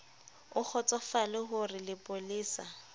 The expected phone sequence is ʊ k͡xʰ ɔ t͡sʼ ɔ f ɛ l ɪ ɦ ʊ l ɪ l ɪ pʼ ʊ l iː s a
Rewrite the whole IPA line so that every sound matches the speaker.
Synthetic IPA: ʊ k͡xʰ ɔ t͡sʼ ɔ f a l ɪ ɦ ʊ r ɪ l ɪ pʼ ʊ l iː s a